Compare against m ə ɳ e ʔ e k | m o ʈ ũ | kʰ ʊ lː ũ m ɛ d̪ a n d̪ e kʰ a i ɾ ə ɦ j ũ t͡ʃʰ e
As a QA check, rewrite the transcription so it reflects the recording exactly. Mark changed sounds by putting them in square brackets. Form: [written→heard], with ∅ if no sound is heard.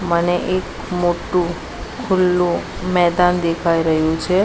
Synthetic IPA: m ə [ɳ→n] e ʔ e k | m o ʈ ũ | kʰ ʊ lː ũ m ɛ d̪ a n d̪ e kʰ a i ɾ ə ɦ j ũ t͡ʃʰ e

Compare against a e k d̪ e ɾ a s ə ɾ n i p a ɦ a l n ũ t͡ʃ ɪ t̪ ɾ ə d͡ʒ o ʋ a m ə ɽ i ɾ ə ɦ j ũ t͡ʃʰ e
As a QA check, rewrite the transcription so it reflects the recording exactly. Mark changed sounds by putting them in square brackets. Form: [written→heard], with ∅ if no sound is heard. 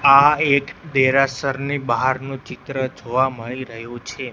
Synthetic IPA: a e k d̪ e ɾ a s ə ɾ n i [p→b] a ɦ a [l→ɾ] n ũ t͡ʃ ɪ t̪ ɾ ə d͡ʒ o ʋ a m ə [ɽ→ɭ] i ɾ ə ɦ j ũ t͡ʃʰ e

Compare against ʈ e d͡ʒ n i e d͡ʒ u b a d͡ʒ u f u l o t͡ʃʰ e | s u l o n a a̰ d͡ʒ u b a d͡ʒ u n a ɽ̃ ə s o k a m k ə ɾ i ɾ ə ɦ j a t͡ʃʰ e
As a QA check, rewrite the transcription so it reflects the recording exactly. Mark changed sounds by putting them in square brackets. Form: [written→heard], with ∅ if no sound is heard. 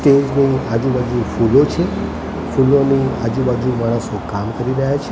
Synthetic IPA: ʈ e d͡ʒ n i [e→a] d͡ʒ u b a d͡ʒ u f u l o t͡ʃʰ e | [s→f] u l o n [a→i] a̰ d͡ʒ u b a d͡ʒ u [n→m] a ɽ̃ ə s o k a m k ə ɾ i ɾ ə ɦ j a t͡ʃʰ e

